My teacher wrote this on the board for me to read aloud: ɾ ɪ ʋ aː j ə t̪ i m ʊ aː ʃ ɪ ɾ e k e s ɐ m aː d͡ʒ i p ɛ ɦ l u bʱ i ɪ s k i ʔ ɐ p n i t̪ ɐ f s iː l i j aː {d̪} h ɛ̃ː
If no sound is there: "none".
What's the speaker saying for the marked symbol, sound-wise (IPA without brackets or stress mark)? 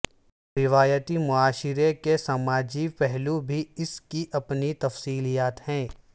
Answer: t̪